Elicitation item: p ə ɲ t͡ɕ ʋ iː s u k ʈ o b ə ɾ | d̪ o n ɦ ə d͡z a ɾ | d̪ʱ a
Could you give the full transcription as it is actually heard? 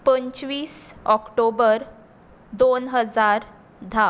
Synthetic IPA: p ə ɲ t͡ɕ ʋ iː s ɔ k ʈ o b ə ɾ | d̪ o n ɦ ə d͡z a ɾ | d̪ʱ a